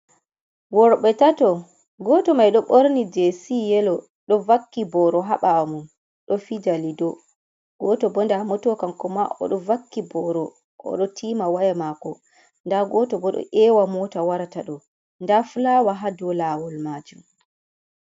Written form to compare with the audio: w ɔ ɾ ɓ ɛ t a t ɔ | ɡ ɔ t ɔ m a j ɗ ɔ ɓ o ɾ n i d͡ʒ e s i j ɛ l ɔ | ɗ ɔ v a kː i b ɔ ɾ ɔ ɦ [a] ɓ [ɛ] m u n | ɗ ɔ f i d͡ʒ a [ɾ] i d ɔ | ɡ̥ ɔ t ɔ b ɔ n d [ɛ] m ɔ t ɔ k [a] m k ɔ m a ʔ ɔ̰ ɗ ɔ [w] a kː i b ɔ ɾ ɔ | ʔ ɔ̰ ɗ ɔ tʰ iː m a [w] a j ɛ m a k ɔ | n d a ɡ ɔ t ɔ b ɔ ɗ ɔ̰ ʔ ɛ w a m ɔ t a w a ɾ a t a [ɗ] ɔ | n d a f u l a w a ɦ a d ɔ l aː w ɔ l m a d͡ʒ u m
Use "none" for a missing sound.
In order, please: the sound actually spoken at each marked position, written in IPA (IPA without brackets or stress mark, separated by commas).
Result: a, a, l, a, a, v, w, ɗ